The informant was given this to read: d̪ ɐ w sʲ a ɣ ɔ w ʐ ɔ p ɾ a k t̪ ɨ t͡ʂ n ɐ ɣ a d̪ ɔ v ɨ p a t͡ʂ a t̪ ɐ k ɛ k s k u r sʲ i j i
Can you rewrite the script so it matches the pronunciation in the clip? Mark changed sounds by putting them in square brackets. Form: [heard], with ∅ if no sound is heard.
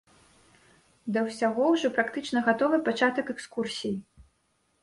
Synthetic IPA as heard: d̪ ɐ w sʲ a ɣ ɔ w ʐ ɔ p ɾ a k t̪ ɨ t͡ʂ n ɐ ɣ a [t̪] ɔ v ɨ p a t͡ʂ a t̪ ɐ k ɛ k s k u r sʲ i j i